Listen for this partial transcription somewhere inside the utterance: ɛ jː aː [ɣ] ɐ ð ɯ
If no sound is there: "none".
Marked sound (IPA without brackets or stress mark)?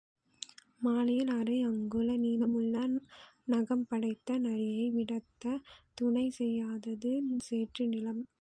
ð